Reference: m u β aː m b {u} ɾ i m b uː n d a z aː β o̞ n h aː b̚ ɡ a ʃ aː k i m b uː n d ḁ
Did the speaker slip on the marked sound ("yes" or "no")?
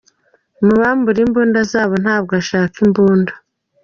no